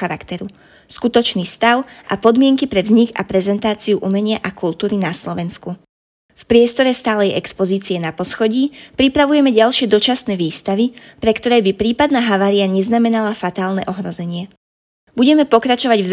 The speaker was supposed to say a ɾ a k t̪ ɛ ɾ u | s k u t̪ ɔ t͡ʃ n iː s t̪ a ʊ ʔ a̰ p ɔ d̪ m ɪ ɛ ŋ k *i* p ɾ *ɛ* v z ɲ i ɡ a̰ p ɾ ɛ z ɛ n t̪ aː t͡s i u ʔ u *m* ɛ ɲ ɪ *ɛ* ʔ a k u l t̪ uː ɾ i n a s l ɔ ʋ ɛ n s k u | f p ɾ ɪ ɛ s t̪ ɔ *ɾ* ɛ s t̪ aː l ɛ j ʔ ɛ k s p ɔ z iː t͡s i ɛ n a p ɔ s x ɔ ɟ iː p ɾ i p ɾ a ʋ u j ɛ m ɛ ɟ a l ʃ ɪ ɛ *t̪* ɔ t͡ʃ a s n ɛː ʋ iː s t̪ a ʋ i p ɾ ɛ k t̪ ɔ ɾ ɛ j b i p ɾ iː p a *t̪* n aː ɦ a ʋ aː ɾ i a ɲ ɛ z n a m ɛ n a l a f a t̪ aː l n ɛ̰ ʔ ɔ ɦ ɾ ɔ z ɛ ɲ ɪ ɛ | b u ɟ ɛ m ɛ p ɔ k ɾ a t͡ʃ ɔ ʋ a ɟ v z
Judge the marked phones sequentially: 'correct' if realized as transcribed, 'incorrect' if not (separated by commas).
correct, correct, correct, incorrect, correct, incorrect, incorrect